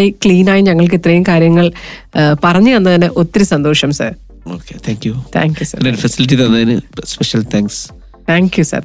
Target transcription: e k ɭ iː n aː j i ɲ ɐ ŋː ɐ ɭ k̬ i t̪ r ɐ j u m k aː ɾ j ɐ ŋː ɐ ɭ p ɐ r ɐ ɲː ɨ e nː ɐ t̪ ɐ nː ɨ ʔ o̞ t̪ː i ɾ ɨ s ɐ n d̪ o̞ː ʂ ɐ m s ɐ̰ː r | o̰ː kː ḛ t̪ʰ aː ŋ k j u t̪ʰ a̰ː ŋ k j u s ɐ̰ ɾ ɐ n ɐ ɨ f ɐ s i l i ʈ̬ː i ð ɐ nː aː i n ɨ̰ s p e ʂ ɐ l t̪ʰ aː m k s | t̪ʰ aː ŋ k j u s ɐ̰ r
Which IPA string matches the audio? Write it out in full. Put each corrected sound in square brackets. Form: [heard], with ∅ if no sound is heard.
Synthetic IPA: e k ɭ iː n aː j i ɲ ɐ ŋː ɐ ɭ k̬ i t̪ r ɐ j u m k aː ɾ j ɐ ŋː ɐ ɭ p ɐ r ɐ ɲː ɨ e nː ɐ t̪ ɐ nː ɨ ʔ o̞ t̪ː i ɾ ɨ s ɐ n d̪ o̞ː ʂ ɐ m s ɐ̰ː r | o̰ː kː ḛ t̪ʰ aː ŋ k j u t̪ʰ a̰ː ŋ k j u s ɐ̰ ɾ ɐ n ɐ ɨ f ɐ s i l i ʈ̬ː i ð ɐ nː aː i n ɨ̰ s p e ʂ ɐ l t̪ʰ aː [ŋ] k s | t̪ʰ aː ŋ k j u s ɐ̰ r